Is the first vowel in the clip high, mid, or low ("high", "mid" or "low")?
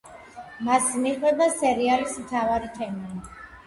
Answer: low